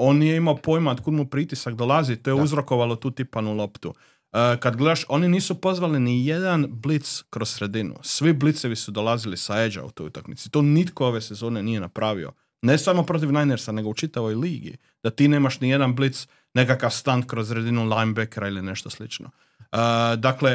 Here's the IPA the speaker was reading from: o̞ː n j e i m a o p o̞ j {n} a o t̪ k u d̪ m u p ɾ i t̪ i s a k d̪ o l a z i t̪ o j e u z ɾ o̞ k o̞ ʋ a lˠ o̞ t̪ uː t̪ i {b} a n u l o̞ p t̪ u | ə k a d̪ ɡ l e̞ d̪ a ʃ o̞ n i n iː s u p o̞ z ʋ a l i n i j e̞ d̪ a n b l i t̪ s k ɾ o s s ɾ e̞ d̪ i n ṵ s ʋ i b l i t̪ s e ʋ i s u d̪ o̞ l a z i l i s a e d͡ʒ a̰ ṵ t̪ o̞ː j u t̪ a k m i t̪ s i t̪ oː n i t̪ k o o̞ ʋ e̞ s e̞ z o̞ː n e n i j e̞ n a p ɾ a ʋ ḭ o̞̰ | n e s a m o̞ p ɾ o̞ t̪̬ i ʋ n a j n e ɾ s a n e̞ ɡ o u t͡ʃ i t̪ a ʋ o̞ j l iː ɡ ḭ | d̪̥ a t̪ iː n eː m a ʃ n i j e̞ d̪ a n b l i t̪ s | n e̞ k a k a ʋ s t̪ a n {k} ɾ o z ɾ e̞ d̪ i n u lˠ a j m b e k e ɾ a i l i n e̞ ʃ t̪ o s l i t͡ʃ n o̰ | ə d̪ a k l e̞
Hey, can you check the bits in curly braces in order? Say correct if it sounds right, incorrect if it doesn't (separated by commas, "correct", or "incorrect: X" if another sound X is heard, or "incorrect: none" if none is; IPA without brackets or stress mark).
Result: incorrect: m, incorrect: p, correct